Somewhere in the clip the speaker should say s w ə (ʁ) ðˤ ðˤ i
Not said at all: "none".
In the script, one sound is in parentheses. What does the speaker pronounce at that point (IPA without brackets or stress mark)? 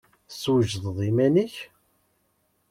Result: ʒ